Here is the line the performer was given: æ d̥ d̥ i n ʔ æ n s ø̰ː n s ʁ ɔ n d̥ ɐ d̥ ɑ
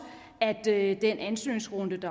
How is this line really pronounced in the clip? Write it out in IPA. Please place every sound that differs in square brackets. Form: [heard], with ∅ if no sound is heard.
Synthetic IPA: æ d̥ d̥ [e] n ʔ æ n s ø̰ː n s ʁ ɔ n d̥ [ə] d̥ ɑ